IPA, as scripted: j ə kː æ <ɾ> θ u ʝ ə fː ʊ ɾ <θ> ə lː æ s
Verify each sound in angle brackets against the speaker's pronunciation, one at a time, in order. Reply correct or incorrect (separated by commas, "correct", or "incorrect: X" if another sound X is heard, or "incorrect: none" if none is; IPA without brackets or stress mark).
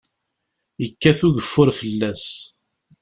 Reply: incorrect: none, incorrect: f